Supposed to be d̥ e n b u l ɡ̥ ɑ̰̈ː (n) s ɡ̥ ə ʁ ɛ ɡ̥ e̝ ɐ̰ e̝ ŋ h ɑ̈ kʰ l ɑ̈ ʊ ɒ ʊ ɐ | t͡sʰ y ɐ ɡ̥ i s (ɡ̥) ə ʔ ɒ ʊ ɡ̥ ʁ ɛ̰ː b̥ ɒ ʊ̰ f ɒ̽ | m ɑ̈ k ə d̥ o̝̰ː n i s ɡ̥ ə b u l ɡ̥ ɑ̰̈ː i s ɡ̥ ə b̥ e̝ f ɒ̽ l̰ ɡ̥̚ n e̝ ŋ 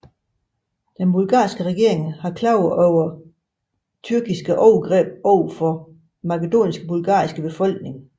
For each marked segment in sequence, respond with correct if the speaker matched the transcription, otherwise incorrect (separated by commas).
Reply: incorrect, correct